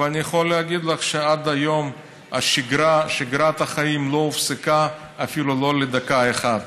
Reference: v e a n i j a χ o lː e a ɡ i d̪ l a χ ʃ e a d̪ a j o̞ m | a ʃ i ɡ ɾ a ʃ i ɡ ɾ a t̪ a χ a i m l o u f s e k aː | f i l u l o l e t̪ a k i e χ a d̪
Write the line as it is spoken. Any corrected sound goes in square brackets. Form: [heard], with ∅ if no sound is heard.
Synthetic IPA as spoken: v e a n i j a χ o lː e a ɡ i d̪ l a χ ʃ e a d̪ a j o̞ m | a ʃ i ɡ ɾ a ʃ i ɡ ɾ a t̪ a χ a i m l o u f s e k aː | f i l u l o l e [d̪] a k [a] e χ a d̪